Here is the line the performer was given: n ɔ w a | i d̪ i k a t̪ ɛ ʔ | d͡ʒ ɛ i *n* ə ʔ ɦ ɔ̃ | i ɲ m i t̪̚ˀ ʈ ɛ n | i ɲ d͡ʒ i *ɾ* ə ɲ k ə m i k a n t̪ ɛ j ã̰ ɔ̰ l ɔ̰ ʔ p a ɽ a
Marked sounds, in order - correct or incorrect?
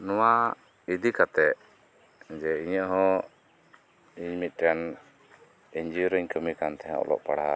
incorrect: ɲ, correct

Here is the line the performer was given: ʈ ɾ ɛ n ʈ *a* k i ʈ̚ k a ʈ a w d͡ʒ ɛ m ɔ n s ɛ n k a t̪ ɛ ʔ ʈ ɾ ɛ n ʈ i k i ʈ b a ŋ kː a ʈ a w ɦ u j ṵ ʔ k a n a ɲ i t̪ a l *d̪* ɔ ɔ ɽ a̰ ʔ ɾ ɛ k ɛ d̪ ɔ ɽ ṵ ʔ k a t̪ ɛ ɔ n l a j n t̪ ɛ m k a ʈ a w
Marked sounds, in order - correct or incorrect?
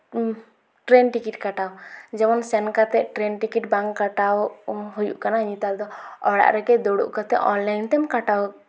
incorrect: i, correct

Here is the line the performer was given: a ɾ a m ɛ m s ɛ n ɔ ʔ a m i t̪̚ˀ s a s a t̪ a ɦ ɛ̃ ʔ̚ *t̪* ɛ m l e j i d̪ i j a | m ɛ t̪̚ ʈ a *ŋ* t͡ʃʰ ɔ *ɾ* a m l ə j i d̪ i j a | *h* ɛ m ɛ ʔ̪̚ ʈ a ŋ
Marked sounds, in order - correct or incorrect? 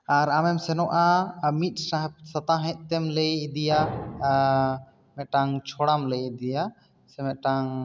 correct, correct, incorrect: ɽ, incorrect: s

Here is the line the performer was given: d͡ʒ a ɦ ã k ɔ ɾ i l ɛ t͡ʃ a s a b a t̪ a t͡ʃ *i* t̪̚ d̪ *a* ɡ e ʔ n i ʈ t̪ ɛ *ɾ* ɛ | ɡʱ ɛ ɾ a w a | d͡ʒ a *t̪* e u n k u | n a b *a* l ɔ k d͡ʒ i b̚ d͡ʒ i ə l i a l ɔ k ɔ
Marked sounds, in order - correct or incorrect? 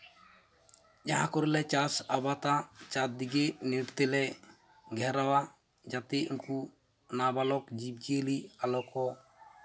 incorrect: a, incorrect: i, incorrect: l, correct, correct

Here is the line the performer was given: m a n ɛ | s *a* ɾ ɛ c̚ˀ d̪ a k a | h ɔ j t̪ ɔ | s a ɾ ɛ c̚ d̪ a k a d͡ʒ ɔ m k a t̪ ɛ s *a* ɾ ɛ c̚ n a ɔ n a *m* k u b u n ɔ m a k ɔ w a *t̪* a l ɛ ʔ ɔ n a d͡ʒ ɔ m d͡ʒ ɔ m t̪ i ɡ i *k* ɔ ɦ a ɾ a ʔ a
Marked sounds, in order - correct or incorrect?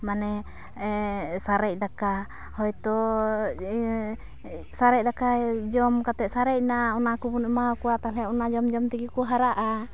correct, correct, incorrect: none, correct, correct

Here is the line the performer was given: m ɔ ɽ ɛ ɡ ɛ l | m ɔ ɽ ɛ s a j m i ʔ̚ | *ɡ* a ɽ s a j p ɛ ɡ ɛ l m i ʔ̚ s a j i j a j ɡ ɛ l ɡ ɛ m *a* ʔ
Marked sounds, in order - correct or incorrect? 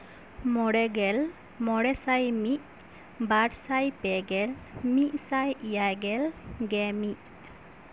incorrect: b, incorrect: i

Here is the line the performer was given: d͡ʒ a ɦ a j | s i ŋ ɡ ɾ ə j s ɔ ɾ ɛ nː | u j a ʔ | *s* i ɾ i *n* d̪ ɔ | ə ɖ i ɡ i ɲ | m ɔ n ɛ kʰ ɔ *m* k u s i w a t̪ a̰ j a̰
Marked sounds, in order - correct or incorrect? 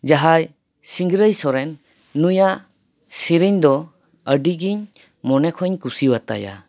correct, incorrect: ɲ, incorrect: ɲ

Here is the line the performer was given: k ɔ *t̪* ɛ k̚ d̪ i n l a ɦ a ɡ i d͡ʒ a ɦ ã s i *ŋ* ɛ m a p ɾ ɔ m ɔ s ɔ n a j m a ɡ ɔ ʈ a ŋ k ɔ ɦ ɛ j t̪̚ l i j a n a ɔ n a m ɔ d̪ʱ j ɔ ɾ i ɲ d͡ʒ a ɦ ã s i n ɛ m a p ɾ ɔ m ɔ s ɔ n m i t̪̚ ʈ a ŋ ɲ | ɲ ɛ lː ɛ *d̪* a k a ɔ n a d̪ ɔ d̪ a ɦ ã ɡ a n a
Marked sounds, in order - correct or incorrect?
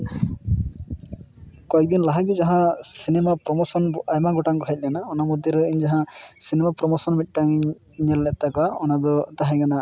incorrect: none, incorrect: n, incorrect: t̪

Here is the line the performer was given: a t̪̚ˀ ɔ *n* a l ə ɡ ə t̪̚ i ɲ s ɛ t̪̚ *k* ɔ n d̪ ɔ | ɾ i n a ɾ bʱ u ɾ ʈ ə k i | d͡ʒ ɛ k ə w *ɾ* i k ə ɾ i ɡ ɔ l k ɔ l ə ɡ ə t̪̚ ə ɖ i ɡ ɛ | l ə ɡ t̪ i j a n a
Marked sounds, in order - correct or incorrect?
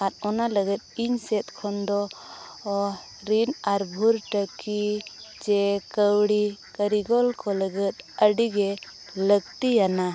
correct, incorrect: kʰ, incorrect: ɽ

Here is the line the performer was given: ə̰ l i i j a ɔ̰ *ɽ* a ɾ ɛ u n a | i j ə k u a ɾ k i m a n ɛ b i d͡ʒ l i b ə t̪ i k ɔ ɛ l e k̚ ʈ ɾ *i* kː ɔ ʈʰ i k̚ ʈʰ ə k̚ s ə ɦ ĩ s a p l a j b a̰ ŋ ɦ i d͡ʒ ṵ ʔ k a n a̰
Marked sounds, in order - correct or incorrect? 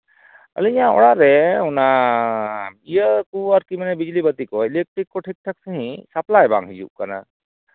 correct, correct

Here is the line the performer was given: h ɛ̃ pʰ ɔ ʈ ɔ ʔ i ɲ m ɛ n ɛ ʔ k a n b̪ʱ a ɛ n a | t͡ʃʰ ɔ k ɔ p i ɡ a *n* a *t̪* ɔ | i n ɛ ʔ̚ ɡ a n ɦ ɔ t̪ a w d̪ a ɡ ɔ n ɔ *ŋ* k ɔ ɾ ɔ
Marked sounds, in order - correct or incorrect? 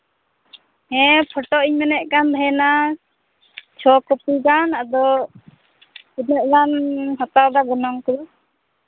correct, incorrect: d̪, correct

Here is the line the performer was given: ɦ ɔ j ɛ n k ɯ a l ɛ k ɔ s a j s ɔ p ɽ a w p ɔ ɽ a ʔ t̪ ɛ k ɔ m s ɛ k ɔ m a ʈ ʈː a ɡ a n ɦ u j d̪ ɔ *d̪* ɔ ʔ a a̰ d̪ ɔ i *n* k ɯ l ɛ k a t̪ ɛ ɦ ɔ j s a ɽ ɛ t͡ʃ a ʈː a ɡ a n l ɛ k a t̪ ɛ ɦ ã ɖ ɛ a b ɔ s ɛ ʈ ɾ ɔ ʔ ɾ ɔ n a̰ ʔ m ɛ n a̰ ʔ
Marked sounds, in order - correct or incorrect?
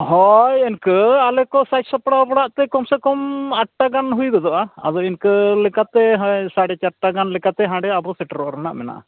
correct, correct

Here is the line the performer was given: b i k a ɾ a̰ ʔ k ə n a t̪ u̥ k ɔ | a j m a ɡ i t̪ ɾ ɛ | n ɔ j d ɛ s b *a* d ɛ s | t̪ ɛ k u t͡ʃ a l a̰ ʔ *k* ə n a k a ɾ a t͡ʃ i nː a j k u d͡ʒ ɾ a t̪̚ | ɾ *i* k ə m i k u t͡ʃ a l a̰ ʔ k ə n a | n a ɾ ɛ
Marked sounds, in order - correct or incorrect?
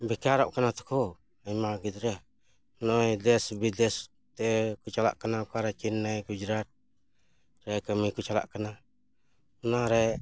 incorrect: i, correct, incorrect: ɛ

